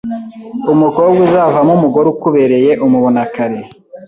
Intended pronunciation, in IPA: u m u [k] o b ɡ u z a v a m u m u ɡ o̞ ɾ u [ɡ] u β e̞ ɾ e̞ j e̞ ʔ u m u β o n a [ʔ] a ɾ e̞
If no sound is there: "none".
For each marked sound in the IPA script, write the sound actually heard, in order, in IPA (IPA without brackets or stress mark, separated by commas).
k, k, k